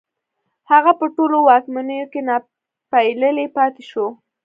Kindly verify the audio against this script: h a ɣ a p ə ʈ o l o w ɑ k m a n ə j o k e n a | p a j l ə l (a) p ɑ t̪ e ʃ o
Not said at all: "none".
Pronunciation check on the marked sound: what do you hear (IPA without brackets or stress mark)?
e